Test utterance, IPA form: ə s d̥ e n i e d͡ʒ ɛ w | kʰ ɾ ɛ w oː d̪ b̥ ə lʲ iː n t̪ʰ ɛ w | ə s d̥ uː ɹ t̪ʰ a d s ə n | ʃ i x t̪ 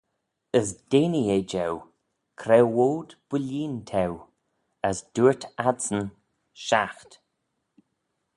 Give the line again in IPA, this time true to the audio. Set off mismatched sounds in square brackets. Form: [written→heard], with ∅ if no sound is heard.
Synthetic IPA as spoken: ə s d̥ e n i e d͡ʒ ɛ w | kʰ ɾ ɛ w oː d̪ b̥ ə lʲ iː n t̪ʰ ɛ w | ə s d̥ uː ɹ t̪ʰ a d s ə n | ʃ [i→a] x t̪